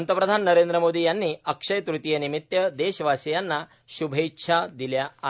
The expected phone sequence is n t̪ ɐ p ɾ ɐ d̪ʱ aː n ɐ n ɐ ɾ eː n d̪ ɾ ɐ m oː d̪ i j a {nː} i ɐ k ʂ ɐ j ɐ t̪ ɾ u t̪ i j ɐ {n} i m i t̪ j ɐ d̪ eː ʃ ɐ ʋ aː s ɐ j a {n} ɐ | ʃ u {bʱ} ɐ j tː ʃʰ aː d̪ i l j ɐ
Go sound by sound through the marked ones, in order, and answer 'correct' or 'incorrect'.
correct, correct, incorrect, correct

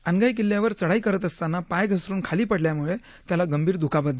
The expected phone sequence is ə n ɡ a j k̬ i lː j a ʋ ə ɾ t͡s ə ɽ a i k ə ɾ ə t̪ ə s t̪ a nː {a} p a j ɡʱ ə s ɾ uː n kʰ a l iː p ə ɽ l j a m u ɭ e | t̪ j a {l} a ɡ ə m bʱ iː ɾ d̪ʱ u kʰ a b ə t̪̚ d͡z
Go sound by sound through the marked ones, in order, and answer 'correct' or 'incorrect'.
correct, correct

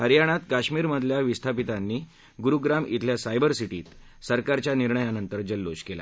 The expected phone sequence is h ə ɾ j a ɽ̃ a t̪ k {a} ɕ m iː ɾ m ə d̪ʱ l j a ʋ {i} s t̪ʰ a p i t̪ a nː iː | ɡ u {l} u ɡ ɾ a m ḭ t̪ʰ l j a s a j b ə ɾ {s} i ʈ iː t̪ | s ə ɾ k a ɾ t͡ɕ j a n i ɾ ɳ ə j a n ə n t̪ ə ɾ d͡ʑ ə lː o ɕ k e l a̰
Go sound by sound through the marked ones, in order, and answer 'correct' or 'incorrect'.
correct, correct, incorrect, correct

